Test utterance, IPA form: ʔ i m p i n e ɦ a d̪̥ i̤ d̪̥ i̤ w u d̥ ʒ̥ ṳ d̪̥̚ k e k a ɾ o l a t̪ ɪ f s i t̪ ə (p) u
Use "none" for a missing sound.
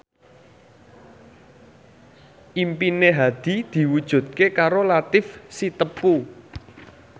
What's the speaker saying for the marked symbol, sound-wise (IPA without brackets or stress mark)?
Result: p